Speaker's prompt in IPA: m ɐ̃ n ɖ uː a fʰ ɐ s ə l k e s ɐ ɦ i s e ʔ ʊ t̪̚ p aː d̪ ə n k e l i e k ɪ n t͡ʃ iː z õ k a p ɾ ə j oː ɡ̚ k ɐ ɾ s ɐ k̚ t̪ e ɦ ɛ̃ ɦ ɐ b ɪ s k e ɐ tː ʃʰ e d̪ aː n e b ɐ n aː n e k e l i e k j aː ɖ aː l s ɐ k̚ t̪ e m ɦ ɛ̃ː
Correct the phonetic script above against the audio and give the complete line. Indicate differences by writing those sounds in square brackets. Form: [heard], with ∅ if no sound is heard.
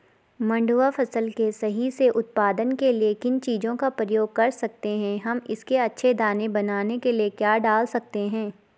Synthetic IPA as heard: m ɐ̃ [ɳ] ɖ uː a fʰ ɐ s ə l k e s ɐ ɦ i s e ʔ ʊ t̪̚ p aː d̪ ə n k e l i e k ɪ n t͡ʃ iː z õ k a p ɾ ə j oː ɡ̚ k ɐ ɾ s ɐ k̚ t̪ e ɦ ɛ̃ ɦ ɐ [m] ɪ s k e ɐ tː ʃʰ e d̪ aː n e b ɐ n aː n e k e l i e k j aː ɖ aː l s ɐ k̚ t̪ e [∅] ɦ ɛ̃ː